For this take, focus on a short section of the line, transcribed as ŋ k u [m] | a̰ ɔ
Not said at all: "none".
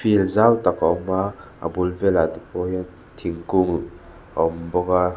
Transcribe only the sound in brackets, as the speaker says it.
ŋ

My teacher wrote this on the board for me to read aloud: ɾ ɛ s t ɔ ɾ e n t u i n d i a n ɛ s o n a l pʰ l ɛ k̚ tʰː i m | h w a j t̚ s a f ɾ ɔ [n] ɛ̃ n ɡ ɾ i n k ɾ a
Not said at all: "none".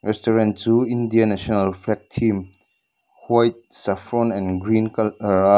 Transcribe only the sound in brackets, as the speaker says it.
n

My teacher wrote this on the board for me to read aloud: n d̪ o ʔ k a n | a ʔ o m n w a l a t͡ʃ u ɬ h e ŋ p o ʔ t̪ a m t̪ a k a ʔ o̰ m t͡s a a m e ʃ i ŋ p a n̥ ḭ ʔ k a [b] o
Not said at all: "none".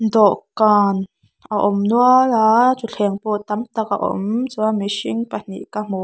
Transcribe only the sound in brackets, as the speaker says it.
m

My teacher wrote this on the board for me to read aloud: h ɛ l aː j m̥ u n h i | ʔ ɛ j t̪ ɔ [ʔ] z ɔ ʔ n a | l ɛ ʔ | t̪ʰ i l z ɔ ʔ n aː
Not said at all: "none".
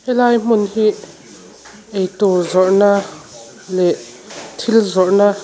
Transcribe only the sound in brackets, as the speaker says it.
none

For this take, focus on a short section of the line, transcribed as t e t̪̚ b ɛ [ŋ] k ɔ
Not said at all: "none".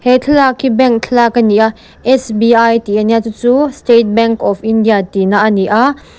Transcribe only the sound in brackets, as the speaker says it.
ŋ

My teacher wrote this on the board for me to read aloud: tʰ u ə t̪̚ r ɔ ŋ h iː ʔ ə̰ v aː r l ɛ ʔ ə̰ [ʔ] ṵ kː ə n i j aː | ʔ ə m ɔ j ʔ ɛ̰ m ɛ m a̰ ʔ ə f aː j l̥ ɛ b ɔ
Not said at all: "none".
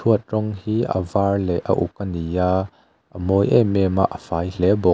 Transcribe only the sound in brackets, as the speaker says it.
ʔ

